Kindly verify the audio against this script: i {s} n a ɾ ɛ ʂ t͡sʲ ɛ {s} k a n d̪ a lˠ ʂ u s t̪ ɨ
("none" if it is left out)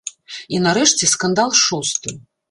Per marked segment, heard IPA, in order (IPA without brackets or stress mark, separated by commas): none, s